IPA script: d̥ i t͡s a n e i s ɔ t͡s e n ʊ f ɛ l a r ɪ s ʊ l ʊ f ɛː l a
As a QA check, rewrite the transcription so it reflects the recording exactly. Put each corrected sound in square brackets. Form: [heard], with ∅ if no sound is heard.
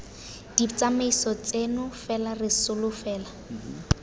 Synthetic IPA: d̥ i t͡s a [m] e i s ɔ t͡s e n ʊ f ɛ l a r ɪ s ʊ l ʊ f ɛː l a

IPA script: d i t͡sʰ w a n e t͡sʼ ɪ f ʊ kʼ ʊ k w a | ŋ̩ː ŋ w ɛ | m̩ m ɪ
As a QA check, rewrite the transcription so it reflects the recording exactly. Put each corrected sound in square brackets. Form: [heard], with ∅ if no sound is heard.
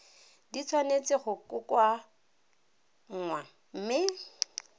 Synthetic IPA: d i t͡sʰ w a n e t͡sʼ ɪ [χ] ʊ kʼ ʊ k w a | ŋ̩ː ŋ w [a] | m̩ m ɪ

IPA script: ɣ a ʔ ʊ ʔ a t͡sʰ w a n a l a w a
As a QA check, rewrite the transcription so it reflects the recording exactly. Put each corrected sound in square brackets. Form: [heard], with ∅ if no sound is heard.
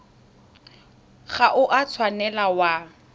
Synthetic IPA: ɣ a ʔ ʊ ʔ a t͡sʰ w a n [ɛ] l a w a

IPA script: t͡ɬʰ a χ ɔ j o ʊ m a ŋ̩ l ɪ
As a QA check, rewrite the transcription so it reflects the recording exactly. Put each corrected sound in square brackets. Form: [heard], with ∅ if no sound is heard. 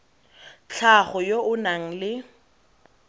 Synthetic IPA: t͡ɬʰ a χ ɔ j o ʊ [n] a ŋ̩ l ɪ

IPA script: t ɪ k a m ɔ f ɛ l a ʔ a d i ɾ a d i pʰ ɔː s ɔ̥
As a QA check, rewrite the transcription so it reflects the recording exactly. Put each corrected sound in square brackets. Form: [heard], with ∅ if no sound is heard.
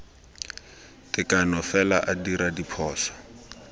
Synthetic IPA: t ɪ k a [n] ɔ f ɛ l a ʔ a d i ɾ a d i pʰ ɔː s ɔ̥

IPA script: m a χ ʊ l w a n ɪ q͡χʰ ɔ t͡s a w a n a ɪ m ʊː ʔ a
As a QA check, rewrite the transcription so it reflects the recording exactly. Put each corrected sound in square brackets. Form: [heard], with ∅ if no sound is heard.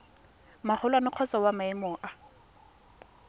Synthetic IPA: m a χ ʊ l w a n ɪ q͡χʰ ɔ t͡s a w a [m] a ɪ m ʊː ʔ a

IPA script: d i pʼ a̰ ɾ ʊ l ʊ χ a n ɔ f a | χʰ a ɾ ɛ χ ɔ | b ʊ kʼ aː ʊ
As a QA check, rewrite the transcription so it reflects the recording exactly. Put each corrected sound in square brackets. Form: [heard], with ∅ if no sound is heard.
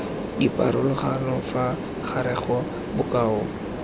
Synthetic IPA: d i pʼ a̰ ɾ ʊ l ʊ χ a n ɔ f a | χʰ a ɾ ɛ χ ɔ | b ʊ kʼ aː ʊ

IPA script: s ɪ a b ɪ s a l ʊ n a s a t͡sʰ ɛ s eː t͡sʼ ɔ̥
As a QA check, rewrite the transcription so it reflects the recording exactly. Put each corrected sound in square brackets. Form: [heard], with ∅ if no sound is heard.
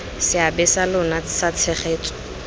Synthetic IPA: s ɪ a b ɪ s a l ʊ n a s a t͡sʰ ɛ [χ] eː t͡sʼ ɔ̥

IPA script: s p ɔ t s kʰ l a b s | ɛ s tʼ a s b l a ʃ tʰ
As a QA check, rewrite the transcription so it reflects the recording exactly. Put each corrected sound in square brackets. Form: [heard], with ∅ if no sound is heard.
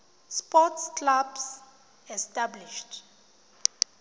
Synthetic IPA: s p ɔ t s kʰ l a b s | ɛ s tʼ a [∅] b l [i] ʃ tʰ

